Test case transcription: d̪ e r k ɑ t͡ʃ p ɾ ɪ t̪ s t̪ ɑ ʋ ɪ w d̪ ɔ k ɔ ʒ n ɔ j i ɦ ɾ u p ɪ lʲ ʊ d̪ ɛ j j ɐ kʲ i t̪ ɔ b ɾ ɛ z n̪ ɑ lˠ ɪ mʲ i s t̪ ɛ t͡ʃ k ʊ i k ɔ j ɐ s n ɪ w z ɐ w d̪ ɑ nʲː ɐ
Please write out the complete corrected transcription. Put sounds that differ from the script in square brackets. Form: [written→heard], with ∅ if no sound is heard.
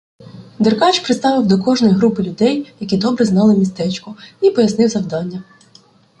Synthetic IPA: d̪ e r k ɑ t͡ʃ p ɾ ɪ t̪ s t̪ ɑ ʋ ɪ w d̪ ɔ k ɔ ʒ n ɔ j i ɦ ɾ u p ɪ lʲ ʊ d̪ ɛ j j ɐ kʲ i [t̪→d̪] ɔ b ɾ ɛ z n̪ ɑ lˠ ɪ mʲ i s t̪ ɛ t͡ʃ k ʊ i [k→p] ɔ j ɐ s n ɪ w z ɐ w d̪ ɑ nʲː ɐ